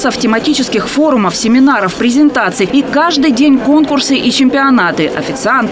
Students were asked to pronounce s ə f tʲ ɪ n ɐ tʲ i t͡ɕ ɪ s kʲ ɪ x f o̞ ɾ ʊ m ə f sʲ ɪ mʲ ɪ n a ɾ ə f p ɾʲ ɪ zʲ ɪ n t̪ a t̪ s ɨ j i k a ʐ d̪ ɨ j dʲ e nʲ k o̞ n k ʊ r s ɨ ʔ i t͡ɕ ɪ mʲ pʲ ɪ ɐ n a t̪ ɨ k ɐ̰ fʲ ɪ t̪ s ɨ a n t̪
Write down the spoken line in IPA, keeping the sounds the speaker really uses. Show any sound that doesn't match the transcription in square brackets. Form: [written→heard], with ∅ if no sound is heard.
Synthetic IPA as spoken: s ə f tʲ ɪ [n→m] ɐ tʲ i t͡ɕ ɪ s kʲ ɪ x f o̞ ɾ ʊ m ə f sʲ ɪ mʲ ɪ n a ɾ ə f p ɾʲ ɪ zʲ ɪ n t̪ a t̪ s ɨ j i k a ʐ d̪ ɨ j dʲ e nʲ k o̞ n k ʊ r s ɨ ʔ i t͡ɕ ɪ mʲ pʲ ɪ ɐ n a t̪ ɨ [k→ʔ] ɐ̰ fʲ ɪ t̪ s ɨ a n t̪